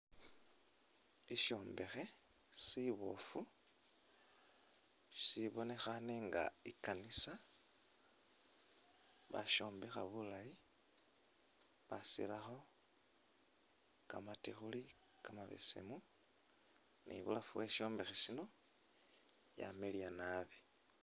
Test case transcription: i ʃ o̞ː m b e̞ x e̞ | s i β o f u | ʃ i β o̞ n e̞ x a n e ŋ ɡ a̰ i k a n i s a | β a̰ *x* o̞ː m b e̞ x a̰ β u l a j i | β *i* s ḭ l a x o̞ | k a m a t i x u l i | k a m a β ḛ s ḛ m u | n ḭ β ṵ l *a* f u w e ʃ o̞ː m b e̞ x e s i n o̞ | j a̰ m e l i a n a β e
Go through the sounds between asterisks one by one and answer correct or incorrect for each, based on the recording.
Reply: incorrect: ʃ, incorrect: a, correct

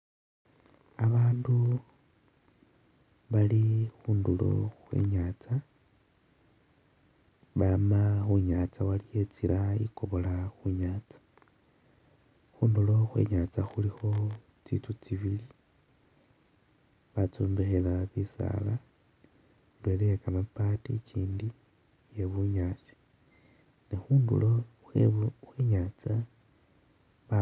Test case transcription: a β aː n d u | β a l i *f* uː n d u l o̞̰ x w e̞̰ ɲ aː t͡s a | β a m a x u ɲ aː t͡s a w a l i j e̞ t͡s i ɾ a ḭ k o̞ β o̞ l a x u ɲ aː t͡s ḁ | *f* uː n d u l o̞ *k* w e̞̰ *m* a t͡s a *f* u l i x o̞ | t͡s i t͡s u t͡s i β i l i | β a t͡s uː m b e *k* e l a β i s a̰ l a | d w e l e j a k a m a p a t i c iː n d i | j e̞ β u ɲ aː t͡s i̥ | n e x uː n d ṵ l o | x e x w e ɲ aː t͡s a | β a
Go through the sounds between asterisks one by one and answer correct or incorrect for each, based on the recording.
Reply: incorrect: x, incorrect: x, incorrect: x, incorrect: ɲ, incorrect: x, incorrect: x

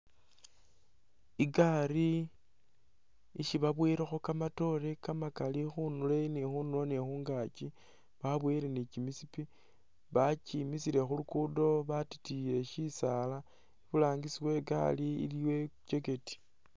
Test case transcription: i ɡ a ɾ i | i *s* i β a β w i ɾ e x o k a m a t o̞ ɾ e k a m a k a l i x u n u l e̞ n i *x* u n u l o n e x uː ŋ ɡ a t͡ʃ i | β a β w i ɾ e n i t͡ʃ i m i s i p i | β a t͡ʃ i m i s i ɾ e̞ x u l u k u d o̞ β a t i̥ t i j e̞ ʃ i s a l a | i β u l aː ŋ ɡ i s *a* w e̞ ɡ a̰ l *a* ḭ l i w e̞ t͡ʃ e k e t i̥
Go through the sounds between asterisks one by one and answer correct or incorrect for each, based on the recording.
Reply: incorrect: ʃ, correct, incorrect: i, incorrect: i

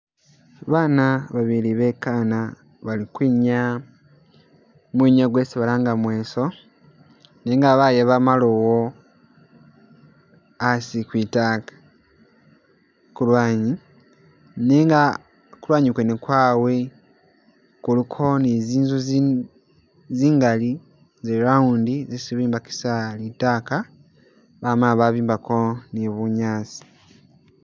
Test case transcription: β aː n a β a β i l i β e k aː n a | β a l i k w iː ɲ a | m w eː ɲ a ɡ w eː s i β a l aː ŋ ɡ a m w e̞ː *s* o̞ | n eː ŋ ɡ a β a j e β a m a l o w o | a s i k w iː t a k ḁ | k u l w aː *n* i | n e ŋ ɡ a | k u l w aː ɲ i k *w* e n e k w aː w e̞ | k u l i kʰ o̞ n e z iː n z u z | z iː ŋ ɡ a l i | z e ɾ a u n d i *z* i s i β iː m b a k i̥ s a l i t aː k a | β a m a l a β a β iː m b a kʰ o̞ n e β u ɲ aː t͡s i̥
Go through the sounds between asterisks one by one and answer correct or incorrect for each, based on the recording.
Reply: correct, incorrect: ɲ, correct, correct

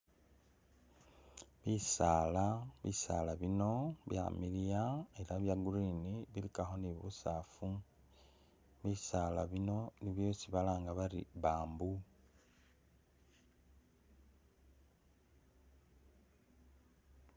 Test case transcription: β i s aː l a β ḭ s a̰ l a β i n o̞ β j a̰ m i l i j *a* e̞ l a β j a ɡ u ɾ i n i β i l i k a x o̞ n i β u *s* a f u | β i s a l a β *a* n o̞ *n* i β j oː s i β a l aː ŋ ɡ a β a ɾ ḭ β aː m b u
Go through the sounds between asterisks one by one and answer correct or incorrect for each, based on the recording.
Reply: correct, correct, incorrect: i, correct

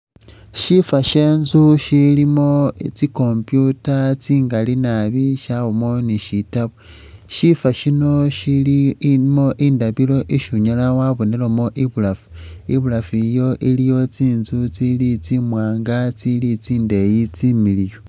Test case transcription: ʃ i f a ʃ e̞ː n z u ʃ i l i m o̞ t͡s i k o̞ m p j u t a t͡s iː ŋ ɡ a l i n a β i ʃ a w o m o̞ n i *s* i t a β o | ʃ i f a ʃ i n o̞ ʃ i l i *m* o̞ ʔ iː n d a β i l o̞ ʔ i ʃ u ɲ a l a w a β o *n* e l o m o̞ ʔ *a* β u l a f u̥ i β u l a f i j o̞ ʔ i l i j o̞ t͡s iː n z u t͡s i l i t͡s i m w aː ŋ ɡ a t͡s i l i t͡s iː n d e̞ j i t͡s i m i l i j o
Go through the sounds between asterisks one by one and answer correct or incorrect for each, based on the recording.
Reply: incorrect: ʃ, correct, correct, incorrect: i

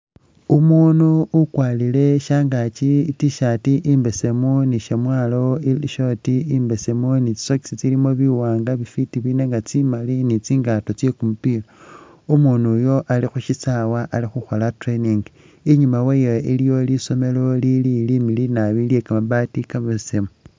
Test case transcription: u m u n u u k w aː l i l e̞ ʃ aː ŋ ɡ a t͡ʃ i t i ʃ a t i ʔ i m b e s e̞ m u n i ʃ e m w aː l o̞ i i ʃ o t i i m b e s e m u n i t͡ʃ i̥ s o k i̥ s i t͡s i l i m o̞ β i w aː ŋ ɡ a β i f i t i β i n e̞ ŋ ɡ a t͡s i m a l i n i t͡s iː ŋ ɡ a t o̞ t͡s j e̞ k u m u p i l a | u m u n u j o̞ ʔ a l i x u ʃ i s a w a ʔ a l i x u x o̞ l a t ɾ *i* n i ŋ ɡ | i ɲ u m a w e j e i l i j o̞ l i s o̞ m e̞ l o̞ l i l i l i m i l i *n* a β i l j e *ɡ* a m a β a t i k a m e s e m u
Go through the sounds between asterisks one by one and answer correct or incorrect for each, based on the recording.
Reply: incorrect: e, correct, incorrect: k

